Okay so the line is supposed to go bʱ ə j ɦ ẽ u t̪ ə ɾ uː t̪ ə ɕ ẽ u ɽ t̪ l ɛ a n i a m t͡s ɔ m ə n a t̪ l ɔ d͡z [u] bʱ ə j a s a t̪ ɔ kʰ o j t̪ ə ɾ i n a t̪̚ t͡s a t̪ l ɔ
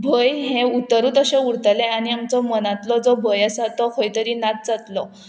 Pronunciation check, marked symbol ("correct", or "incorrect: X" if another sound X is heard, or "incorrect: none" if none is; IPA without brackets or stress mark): incorrect: ɔ